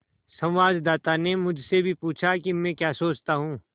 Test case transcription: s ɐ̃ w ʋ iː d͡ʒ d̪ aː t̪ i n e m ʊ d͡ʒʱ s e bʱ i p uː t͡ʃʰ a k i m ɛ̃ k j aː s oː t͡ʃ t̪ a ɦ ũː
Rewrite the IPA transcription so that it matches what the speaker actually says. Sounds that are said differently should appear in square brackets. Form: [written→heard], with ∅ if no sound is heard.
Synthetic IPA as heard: s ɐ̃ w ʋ [iː→aː] d͡ʒ d̪ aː t̪ [i→a] n e m ʊ d͡ʒʱ s e bʱ i p uː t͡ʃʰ a k i m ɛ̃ k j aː s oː t͡ʃ t̪ a ɦ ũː